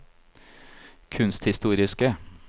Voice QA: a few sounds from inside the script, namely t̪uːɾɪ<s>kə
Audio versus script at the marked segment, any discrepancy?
no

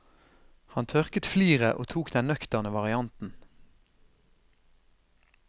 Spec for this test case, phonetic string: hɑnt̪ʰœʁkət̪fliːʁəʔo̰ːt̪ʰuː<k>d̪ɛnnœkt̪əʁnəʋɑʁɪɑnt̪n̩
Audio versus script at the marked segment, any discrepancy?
no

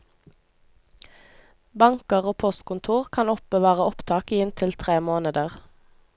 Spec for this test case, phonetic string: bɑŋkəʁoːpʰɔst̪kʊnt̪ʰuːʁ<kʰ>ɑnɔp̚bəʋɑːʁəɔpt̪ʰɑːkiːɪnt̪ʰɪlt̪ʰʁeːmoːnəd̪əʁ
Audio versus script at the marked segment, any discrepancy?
no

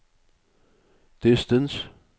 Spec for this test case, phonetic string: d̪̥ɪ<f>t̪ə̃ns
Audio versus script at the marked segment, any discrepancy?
yes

